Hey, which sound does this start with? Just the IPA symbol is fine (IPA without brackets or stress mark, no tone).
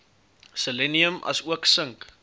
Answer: s